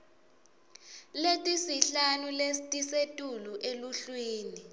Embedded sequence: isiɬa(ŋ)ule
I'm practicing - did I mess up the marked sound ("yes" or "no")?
yes